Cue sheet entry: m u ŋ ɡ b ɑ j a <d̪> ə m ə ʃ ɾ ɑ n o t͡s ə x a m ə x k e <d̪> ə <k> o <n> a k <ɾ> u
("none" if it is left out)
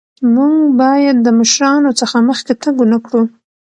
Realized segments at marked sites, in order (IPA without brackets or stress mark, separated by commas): d̪ː, t̪, ɡ, n, ɽ